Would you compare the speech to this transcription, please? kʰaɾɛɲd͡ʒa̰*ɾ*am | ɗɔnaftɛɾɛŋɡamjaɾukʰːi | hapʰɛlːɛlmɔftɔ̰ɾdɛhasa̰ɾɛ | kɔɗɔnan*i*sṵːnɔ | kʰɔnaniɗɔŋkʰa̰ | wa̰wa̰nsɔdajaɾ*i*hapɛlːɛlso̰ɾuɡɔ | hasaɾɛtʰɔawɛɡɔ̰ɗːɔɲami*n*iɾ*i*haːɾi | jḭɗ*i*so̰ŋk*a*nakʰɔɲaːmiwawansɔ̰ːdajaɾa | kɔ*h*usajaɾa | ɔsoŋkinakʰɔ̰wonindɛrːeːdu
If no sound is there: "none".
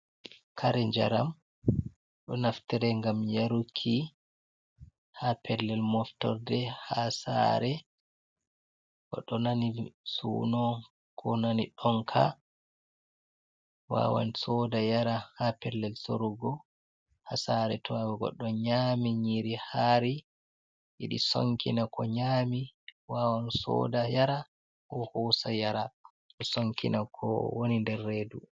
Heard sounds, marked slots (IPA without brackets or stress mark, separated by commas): ɾ, i, a, ɲ, i, i, i, h